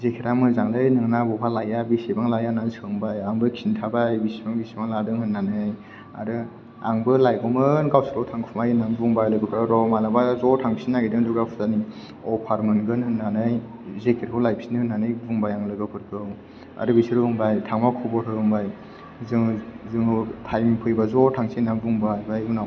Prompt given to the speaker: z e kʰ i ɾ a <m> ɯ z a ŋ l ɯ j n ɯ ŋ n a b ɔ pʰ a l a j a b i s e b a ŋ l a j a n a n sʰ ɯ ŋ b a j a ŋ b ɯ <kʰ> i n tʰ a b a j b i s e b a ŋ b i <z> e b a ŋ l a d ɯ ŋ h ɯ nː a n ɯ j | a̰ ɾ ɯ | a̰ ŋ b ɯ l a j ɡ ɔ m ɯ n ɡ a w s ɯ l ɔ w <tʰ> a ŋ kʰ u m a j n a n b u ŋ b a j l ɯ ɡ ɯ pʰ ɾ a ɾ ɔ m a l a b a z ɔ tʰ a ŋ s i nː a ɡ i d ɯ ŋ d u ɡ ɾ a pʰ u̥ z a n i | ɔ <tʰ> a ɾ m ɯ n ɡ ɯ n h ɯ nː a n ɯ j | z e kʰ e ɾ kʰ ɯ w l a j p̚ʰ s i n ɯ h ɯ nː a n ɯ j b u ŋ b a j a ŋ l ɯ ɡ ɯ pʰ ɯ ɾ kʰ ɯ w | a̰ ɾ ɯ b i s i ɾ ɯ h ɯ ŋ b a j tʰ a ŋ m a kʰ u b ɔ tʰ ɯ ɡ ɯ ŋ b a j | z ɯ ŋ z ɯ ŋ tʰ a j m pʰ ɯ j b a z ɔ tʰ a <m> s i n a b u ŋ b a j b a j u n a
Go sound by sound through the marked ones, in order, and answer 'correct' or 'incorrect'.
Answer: correct, correct, incorrect: s, correct, incorrect: pʰ, incorrect: ŋ

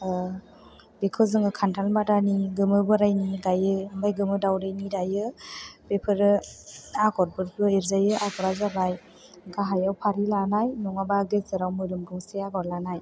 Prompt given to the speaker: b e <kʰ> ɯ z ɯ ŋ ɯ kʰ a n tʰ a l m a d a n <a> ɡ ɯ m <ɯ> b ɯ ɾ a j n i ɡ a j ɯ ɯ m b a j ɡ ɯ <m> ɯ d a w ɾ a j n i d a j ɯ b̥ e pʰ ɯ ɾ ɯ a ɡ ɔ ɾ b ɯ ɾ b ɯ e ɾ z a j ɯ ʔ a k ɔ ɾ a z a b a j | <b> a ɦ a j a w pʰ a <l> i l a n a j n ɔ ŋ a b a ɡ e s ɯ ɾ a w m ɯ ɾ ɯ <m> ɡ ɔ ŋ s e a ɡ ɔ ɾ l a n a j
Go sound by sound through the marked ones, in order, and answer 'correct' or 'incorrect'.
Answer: correct, incorrect: i, correct, correct, incorrect: ɡ, incorrect: ɾ, correct

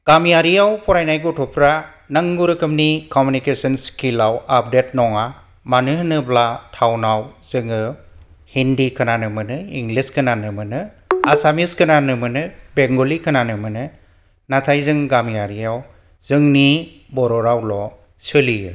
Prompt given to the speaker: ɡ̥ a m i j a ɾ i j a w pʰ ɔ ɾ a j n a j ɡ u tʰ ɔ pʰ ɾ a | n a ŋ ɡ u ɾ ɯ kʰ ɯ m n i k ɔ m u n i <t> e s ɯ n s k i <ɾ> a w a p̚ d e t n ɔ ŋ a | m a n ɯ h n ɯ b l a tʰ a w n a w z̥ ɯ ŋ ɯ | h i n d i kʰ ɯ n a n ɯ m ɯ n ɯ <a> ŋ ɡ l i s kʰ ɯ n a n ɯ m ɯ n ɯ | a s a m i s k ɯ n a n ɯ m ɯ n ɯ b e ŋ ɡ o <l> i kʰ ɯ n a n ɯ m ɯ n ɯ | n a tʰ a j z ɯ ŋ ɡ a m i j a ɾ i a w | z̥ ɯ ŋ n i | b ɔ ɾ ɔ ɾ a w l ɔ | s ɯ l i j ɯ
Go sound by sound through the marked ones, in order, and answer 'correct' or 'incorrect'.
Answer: incorrect: k, incorrect: l, incorrect: i, correct

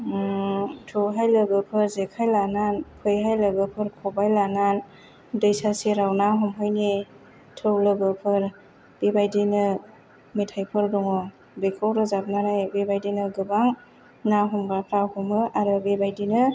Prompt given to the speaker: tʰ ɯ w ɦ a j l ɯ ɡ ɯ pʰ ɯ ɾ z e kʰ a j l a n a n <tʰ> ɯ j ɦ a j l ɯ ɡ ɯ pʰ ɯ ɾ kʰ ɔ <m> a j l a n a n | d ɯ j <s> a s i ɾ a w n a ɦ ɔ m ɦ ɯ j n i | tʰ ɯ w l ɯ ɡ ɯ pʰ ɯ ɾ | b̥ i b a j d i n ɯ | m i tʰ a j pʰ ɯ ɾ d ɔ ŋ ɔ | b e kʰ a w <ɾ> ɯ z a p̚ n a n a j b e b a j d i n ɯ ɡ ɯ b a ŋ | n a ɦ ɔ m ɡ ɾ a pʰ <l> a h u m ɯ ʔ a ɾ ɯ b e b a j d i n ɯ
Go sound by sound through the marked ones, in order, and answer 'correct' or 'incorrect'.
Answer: incorrect: pʰ, incorrect: b, correct, correct, incorrect: ɾ

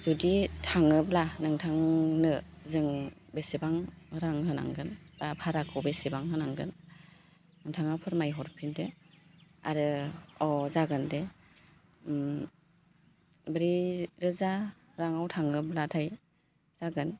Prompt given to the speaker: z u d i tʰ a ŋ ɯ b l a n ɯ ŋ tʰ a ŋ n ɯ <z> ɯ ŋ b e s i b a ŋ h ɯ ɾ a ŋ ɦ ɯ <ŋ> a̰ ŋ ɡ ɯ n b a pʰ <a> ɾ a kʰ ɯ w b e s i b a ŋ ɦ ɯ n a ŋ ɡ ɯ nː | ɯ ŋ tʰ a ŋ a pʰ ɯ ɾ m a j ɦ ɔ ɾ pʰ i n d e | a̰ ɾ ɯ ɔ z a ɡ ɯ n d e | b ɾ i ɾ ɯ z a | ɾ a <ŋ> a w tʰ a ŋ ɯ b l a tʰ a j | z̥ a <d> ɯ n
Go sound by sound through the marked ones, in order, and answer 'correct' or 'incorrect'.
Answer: correct, incorrect: n, correct, correct, incorrect: ɡ

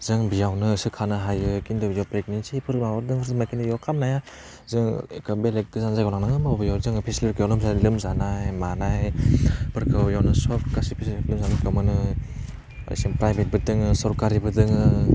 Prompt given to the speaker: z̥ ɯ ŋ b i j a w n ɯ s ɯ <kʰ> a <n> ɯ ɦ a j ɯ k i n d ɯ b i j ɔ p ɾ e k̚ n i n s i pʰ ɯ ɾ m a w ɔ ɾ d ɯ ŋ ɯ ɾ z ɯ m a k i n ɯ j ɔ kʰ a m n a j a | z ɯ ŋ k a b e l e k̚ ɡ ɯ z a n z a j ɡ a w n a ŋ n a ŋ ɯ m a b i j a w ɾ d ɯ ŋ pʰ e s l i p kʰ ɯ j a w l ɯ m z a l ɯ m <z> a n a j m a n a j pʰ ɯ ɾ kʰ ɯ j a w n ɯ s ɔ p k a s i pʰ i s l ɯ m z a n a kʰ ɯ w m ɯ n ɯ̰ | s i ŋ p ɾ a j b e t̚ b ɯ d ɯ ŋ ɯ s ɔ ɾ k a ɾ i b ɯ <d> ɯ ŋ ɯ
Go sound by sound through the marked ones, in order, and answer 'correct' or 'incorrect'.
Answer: correct, correct, correct, correct

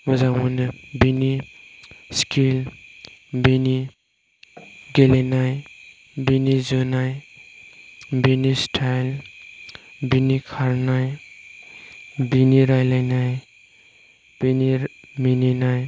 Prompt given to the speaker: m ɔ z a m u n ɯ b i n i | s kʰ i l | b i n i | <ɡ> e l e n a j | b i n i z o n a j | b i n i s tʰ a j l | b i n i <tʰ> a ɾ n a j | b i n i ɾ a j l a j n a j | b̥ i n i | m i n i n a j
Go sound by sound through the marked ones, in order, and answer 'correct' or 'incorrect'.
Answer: correct, incorrect: kʰ

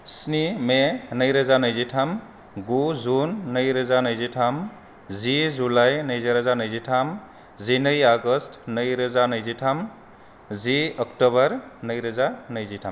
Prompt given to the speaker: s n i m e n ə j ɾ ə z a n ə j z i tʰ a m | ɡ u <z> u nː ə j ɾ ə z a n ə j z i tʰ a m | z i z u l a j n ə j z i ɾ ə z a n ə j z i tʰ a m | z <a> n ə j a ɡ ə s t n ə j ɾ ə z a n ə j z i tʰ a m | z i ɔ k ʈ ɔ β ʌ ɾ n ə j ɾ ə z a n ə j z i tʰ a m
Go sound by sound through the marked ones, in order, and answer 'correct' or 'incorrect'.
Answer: correct, incorrect: i

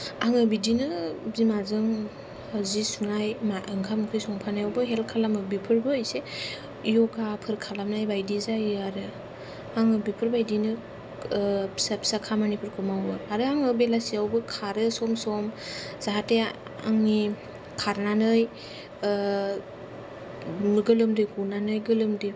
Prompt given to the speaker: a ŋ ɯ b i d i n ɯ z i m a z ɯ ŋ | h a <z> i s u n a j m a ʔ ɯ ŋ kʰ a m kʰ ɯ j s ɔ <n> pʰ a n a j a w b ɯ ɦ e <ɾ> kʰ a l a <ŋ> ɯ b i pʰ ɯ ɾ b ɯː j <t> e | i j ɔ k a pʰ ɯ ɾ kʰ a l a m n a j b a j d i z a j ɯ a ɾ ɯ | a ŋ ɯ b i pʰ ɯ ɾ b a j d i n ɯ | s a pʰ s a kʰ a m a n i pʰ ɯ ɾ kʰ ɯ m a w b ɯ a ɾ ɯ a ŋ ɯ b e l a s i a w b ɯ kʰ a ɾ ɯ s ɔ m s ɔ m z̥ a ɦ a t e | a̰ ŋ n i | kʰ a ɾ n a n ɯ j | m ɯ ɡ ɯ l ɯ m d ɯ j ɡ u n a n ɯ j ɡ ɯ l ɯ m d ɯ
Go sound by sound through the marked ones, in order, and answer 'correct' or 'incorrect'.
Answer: correct, incorrect: ŋ, incorrect: l, incorrect: m, incorrect: s

